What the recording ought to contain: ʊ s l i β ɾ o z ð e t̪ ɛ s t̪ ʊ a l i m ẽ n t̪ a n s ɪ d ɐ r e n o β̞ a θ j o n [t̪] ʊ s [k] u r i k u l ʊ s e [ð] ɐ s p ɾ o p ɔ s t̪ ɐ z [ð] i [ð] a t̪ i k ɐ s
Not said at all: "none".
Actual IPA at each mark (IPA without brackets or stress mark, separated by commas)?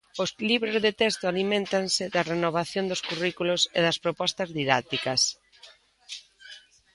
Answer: d̪, k, ð, ð, ð